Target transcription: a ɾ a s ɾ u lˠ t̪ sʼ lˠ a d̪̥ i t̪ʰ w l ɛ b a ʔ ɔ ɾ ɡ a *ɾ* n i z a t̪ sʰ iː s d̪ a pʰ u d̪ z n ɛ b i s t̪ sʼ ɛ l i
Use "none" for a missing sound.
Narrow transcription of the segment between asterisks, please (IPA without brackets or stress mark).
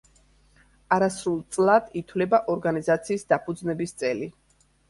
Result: none